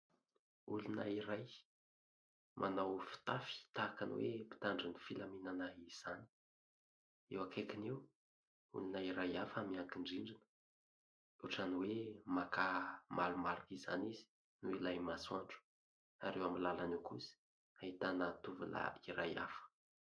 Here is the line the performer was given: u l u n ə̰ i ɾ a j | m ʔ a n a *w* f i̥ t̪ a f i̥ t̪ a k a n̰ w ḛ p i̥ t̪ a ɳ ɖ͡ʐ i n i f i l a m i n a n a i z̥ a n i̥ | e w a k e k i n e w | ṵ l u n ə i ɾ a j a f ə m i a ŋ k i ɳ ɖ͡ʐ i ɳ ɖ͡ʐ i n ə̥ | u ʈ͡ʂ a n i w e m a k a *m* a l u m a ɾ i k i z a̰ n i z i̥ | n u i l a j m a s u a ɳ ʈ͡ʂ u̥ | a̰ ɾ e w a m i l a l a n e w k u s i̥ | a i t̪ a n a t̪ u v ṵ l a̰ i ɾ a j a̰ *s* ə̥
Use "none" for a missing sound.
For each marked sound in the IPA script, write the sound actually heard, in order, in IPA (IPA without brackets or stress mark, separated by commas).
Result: w, m, f